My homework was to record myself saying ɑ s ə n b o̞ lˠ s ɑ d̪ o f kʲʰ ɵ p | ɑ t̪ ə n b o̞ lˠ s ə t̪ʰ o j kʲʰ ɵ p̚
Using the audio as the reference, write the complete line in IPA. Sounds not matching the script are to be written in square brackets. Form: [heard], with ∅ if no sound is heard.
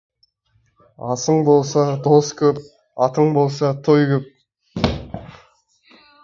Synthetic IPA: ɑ s ə [ɴ] b o̞ lˠ s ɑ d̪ o [s] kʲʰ ɵ p | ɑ t̪ ə [ɴ] b o̞ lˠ s [ɑ] t̪ʰ o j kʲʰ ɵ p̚